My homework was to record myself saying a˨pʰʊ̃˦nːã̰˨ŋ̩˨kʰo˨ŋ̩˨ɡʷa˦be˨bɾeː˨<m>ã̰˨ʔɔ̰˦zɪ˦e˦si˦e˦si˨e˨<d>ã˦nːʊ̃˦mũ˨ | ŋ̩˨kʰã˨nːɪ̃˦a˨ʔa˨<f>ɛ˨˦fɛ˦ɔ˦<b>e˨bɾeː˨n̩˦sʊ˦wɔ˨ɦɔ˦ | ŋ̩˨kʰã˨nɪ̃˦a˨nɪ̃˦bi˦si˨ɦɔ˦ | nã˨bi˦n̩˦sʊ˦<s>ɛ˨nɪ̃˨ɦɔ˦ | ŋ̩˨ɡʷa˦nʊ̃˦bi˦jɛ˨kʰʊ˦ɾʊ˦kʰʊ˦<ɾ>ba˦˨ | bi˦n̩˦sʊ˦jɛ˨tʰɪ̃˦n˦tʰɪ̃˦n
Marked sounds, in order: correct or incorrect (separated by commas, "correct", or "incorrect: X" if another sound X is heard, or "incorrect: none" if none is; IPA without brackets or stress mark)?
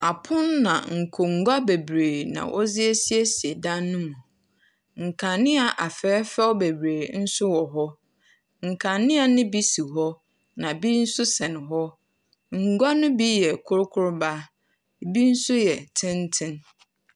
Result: incorrect: n, correct, correct, correct, correct, correct